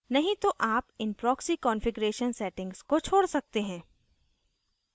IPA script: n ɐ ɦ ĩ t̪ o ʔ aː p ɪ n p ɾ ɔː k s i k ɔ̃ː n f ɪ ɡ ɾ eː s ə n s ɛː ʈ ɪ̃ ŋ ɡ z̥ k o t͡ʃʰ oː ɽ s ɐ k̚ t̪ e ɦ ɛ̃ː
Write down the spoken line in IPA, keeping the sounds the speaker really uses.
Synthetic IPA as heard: n ɐ ɦ ĩ t̪ o ʔ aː p ɪ n p ɾ ɔː k s i k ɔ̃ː n f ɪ ɡ ɾ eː ʃ ə n s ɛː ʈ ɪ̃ ŋ ɡ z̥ k o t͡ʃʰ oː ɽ s ɐ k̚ t̪ e ɦ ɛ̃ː